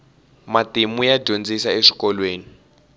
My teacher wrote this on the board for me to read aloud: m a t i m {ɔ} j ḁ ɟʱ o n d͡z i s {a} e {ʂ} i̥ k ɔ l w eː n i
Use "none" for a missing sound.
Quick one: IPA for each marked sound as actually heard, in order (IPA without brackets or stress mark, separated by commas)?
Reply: u, a, ʂ